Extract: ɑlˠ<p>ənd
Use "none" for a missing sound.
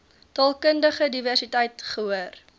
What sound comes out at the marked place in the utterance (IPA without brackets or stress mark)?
k